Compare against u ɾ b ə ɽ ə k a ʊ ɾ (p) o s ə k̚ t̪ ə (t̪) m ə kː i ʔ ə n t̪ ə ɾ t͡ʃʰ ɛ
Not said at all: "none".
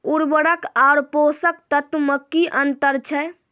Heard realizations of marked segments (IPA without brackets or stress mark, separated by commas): p, t̪